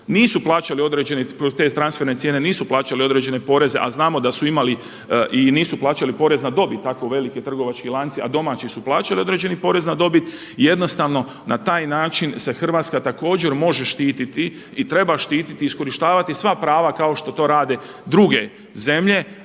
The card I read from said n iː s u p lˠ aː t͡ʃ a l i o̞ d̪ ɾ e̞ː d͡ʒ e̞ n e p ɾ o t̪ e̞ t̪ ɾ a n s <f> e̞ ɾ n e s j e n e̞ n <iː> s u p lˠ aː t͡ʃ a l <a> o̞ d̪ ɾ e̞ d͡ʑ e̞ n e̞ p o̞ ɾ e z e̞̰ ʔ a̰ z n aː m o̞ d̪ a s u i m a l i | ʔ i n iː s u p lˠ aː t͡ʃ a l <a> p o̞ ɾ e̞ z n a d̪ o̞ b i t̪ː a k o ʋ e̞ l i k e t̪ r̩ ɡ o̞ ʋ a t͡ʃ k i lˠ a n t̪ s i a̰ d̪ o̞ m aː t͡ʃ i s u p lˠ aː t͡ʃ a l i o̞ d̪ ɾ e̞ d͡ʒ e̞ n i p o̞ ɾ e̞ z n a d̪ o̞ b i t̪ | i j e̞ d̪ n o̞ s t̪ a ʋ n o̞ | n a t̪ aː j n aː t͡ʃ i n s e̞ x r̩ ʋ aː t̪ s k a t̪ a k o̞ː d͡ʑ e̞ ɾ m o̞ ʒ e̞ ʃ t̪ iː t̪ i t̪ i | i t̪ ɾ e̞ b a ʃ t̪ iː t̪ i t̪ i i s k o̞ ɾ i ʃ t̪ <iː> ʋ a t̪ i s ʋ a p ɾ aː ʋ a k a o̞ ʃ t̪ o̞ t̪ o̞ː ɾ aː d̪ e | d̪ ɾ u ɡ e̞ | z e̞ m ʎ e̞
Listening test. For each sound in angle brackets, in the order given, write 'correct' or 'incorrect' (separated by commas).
correct, correct, incorrect, incorrect, incorrect